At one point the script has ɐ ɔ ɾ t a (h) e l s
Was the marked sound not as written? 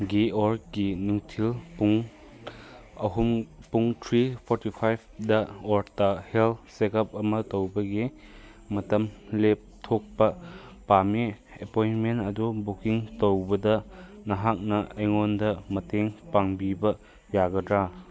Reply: no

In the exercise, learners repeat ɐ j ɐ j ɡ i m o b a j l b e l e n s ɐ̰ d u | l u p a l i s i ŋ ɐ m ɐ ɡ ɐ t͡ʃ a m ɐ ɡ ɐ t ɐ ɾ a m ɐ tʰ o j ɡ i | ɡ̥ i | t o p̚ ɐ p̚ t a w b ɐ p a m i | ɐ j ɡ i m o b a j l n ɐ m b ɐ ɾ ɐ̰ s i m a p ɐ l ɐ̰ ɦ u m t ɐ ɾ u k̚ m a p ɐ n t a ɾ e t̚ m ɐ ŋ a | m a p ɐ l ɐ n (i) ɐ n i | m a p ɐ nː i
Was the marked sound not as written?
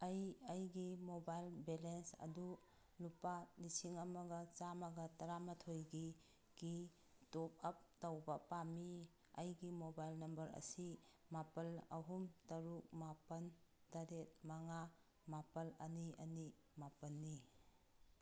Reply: no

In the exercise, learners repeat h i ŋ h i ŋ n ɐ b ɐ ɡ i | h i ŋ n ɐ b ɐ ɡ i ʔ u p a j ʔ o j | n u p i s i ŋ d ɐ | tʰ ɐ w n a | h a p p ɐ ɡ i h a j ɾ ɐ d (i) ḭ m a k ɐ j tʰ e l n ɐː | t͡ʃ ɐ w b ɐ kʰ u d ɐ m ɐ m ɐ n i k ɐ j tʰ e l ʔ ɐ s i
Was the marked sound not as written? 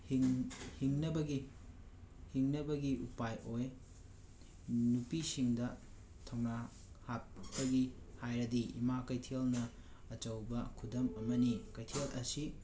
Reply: no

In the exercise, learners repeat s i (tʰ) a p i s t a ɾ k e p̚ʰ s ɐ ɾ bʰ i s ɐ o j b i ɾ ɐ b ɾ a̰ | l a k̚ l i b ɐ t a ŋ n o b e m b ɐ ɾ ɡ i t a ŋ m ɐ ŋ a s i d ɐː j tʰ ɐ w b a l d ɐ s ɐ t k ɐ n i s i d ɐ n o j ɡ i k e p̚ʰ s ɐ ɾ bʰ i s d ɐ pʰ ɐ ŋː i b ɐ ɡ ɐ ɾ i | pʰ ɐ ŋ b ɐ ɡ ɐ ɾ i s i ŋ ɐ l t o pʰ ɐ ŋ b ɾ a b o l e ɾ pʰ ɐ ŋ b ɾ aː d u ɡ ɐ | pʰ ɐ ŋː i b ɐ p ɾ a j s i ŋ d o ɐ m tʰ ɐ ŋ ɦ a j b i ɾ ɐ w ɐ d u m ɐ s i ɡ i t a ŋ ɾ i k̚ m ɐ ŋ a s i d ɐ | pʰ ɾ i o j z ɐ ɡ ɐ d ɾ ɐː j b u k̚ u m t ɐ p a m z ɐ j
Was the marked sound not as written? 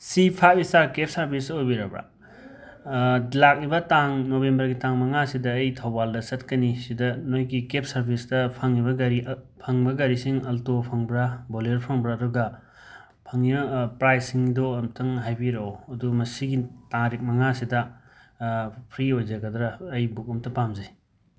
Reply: yes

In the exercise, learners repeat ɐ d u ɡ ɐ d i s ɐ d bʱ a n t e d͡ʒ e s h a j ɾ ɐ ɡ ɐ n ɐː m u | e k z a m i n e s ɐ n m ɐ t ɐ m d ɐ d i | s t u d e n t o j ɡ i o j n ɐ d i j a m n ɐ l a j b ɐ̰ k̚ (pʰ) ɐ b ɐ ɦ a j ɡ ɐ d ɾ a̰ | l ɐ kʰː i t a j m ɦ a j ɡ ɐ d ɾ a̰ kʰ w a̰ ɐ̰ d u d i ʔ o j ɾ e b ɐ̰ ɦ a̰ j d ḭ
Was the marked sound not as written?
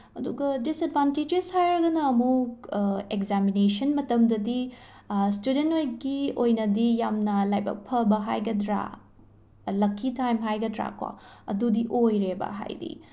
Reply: no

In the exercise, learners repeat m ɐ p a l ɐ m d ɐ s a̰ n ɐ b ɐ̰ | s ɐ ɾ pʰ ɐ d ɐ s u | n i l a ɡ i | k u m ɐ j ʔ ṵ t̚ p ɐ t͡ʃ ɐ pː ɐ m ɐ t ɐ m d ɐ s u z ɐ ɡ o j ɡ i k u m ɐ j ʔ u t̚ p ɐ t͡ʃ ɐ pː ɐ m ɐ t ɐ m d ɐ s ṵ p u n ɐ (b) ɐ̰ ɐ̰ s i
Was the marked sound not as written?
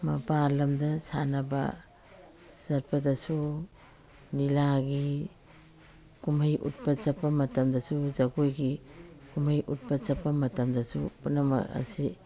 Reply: yes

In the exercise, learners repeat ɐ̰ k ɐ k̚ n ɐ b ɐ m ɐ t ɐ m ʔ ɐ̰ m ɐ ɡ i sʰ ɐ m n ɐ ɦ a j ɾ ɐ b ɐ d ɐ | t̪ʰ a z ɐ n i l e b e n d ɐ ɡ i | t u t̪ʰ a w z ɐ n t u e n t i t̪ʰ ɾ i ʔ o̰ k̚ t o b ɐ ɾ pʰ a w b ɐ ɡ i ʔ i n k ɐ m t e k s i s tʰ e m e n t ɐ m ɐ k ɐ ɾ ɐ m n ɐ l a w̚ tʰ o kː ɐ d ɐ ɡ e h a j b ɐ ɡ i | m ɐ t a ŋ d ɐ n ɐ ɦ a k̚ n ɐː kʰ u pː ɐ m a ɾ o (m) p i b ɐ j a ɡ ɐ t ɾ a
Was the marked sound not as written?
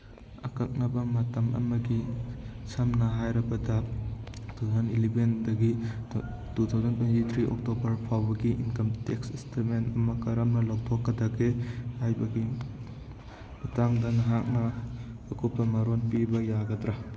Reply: yes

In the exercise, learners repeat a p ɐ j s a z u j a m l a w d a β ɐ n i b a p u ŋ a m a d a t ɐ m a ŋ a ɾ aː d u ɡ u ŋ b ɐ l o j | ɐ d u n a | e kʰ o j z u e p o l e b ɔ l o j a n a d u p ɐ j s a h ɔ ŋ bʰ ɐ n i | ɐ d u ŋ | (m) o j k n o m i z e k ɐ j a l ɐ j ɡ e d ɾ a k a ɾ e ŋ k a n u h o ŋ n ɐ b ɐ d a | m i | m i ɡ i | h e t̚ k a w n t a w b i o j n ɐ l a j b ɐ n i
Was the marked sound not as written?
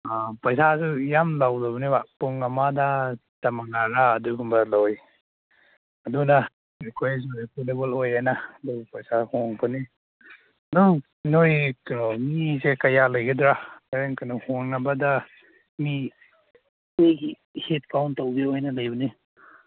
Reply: yes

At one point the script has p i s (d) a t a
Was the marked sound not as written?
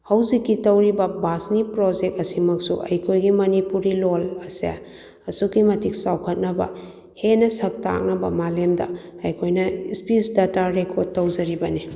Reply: no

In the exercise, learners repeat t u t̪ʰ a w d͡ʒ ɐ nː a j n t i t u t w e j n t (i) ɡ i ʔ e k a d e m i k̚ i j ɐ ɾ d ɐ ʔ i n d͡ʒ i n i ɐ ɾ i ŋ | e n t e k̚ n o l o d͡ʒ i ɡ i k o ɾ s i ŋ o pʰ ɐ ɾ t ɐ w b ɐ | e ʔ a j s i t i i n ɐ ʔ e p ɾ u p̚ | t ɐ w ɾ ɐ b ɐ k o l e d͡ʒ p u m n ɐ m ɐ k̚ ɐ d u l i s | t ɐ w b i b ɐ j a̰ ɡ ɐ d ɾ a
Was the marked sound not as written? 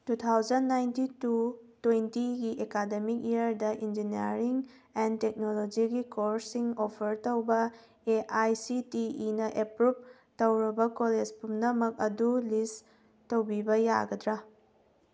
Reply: no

